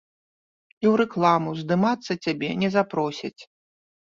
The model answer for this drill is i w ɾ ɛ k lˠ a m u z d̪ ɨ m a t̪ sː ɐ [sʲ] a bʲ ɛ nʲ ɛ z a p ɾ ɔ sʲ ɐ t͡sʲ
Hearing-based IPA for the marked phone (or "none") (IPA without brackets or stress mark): t͡sʲ